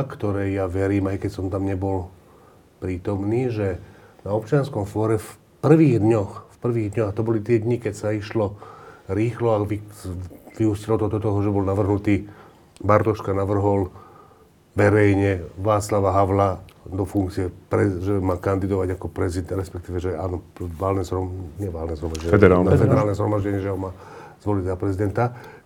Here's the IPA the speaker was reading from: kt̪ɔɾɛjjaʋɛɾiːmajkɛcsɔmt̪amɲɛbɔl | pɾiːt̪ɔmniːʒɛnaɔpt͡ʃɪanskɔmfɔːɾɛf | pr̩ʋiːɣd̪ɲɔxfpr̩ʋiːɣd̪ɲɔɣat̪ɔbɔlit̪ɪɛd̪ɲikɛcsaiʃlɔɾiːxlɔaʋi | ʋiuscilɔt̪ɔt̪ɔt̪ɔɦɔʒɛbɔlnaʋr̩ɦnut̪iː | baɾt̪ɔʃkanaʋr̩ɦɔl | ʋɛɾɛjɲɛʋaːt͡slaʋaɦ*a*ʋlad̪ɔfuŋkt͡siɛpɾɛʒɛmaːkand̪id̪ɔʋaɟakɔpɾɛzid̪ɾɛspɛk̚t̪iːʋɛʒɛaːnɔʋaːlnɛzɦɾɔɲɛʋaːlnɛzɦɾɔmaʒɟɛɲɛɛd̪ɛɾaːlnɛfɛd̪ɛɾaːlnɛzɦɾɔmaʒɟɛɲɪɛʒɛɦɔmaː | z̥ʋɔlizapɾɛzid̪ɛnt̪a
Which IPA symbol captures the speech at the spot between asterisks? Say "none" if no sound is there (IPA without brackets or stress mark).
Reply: a